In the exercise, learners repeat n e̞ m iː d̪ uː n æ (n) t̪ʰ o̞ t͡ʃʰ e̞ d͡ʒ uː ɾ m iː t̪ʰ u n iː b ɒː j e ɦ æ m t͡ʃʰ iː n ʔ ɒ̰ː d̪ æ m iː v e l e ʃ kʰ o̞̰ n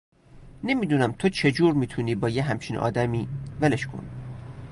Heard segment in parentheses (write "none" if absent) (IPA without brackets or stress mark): m